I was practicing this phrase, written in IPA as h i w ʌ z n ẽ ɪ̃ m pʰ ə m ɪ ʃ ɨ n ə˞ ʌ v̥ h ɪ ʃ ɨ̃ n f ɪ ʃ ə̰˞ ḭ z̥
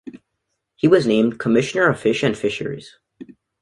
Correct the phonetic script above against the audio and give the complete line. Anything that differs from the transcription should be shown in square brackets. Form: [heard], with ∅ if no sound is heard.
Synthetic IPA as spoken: h i w ʌ z n ẽ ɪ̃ m [kʰ] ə m ɪ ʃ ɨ n ə˞ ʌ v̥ [f] ɪ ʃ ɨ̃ n f ɪ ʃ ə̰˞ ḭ z̥

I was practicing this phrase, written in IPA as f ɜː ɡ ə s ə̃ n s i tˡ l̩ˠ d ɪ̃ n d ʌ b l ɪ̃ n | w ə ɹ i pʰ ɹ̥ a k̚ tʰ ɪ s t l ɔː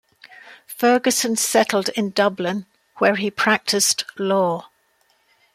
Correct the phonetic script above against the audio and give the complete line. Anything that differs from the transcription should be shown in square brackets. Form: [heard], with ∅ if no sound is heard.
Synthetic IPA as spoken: f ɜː ɡ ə s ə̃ n s [ɛ] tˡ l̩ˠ d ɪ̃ n d ʌ b l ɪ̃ n | w ə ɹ i pʰ ɹ̥ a k̚ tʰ ɪ s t l ɔː

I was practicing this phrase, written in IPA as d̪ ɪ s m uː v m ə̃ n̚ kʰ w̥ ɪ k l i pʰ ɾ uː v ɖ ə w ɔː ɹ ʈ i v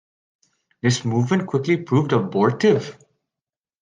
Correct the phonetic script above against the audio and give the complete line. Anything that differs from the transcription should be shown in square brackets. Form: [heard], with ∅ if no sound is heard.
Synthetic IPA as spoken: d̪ ɪ s m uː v m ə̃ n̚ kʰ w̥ ɪ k l i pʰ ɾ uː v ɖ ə [b] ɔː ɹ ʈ [ɪ] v

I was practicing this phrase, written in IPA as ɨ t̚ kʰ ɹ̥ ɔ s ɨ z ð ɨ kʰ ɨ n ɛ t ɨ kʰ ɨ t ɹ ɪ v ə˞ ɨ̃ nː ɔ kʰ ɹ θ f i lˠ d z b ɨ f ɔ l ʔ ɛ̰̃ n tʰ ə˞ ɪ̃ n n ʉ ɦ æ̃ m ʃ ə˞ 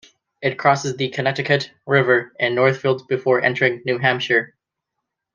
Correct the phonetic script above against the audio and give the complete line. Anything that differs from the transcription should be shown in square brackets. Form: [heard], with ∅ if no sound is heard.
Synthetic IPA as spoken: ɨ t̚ kʰ ɹ̥ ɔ s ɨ z ð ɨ kʰ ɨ n ɛ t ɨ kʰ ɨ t ɹ ɪ v ə˞ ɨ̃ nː ɔ [∅] ɹ θ f i lˠ d z b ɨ f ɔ [ɹ] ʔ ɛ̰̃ n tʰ ə˞ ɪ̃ [ŋ] n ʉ ɦ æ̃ m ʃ ə˞

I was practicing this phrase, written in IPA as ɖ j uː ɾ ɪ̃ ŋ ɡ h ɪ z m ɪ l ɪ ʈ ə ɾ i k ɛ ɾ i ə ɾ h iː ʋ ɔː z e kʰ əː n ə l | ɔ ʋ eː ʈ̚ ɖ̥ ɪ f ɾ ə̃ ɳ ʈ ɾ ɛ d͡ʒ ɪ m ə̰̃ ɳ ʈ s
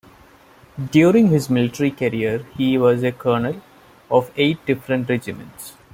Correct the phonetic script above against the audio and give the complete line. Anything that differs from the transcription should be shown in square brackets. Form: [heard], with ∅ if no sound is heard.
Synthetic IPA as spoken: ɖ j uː ɾ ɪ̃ ŋ ɡ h ɪ z m ɪ l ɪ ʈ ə ɾ i k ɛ ɾ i ə ɾ h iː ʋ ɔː z e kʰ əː n ə l | ɔ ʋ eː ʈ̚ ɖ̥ ɪ f ɾ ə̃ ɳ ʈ ɾ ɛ d͡ʒ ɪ m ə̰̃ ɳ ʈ s

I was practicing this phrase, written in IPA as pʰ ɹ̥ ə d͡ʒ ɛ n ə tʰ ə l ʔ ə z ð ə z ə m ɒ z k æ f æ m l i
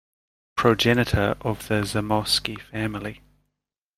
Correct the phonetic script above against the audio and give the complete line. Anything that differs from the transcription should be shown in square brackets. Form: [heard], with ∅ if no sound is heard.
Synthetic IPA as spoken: pʰ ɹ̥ ə d͡ʒ ɛ n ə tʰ ə [ɹ] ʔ ə [v] ð ə z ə m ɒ [s] k [i] f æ m l i

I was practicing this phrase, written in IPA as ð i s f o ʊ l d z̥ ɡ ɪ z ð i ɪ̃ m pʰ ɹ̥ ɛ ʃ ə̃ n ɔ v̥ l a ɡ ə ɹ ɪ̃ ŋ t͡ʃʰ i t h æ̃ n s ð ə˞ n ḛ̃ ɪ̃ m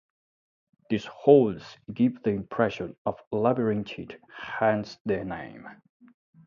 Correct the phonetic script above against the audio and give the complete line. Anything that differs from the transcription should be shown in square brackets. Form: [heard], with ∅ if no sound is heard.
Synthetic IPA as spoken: ð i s [h] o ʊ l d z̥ ɡ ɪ [v] ð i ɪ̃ m pʰ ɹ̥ ɛ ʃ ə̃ n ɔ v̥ l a [b] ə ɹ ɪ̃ ŋ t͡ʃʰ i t h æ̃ n s ð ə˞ n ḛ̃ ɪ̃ m

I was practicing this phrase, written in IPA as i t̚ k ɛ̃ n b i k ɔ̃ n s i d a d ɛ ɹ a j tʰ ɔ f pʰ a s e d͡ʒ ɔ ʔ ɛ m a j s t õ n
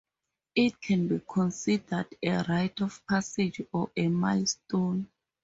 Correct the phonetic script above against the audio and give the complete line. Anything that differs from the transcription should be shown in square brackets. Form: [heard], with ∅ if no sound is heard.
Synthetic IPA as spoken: i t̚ [kʰ] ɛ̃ n b i [kʰ] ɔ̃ n s i d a d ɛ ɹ a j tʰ ɔ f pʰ a s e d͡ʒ ɔ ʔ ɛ m a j s t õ n

